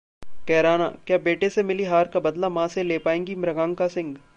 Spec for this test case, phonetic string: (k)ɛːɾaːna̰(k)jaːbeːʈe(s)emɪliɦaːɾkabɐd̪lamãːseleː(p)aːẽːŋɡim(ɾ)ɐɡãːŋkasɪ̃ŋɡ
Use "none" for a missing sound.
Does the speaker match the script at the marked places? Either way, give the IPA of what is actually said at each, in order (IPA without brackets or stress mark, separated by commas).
k, k, s, p, ɾ